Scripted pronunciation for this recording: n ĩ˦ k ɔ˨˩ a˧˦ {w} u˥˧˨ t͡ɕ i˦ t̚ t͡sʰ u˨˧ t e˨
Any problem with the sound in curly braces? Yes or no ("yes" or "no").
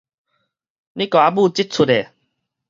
yes